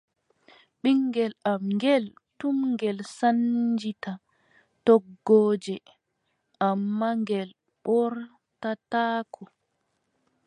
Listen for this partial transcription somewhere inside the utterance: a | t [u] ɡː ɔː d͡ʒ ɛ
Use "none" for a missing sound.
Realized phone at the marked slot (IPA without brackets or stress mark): ɔ